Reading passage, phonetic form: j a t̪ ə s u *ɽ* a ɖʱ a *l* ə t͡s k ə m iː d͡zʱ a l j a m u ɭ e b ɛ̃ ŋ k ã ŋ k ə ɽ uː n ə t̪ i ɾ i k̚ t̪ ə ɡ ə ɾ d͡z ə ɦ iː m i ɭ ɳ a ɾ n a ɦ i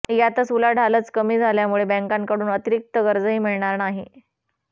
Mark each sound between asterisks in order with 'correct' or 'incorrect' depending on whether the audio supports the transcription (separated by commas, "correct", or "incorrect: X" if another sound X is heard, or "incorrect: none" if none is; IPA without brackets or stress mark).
incorrect: l, correct